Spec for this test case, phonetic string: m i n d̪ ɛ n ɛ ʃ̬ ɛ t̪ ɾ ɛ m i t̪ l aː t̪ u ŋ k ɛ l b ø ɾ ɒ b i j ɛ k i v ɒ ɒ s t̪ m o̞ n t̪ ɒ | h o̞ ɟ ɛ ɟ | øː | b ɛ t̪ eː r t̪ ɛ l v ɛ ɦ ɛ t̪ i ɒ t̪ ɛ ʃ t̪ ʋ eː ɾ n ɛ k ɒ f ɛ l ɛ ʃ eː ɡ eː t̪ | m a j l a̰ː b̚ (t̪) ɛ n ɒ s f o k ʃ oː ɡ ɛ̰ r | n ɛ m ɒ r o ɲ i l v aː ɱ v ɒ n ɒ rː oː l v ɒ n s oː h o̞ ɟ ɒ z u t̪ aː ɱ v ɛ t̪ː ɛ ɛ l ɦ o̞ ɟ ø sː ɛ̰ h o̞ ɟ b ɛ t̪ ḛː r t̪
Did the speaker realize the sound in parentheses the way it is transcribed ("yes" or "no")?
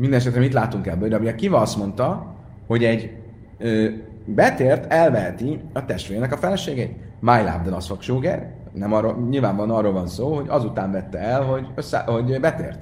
no